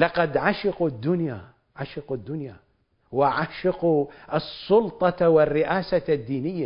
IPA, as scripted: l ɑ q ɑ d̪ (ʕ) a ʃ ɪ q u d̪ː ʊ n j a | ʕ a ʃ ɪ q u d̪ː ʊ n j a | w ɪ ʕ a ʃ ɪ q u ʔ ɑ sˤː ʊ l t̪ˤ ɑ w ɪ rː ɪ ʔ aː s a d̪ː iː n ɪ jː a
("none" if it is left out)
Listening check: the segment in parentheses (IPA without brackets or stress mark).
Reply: ʕ